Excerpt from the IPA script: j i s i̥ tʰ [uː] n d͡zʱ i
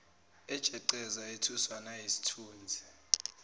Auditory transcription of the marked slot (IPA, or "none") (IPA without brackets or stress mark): uː